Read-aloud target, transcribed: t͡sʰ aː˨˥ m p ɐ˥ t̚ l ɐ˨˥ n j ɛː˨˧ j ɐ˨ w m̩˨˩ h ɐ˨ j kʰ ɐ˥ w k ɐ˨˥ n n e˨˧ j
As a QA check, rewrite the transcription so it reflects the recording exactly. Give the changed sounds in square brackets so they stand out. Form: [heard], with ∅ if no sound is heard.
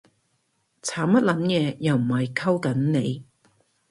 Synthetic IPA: t͡sʰ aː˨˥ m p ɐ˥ t̚ l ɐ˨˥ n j ɛː˨˧ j ɐ˨ w m̩˨˩ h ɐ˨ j kʰ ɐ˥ w k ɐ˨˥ n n e˨˧ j